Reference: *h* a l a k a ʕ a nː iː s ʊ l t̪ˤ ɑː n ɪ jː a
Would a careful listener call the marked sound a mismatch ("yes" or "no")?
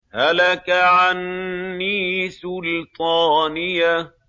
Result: no